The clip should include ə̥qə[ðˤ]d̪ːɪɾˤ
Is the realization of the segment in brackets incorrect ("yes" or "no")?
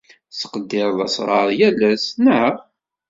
yes